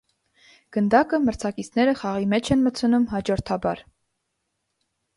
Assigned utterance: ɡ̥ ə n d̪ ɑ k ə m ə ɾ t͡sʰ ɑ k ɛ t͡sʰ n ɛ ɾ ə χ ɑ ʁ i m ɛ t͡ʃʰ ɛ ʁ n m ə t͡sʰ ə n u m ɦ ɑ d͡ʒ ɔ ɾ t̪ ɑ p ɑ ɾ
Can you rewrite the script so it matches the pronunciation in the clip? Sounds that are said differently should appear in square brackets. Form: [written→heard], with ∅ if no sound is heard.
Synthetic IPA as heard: ɡ̥ ə n d̪ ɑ k ə m ə ɾ t͡sʰ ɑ k [ɛ→i] t͡sʰ n ɛ ɾ ə χ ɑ ʁ i m ɛ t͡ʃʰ ɛ [ʁ→∅] n m ə t͡sʰ ə n u m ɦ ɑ d͡ʒ ɔ ɾ [t̪→t̪ʰ] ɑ [p→b] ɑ ɾ